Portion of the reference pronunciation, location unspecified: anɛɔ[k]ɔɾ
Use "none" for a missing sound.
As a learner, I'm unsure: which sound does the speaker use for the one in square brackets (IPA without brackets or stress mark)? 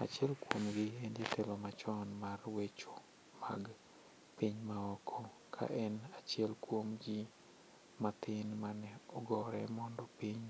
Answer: ɡ